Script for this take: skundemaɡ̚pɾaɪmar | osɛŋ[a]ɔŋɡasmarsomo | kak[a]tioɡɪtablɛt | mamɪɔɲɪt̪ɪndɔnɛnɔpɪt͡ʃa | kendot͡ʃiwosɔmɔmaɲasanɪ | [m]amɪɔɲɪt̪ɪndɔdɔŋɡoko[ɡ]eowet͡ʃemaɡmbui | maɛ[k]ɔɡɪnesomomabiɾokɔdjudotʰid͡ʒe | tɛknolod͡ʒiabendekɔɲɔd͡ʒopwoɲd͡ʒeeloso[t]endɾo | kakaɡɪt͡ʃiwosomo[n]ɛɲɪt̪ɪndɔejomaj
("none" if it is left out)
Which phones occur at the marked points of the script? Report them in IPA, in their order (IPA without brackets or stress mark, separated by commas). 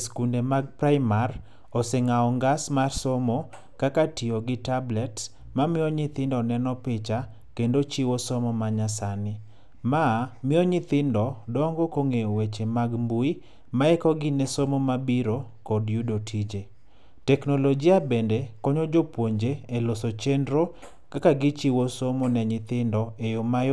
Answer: a, a, m, ŋ, k, t͡ʃ, n